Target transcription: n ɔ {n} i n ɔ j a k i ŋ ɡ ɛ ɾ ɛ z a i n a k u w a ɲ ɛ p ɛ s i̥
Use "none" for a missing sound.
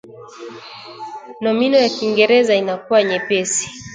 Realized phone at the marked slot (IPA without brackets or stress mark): m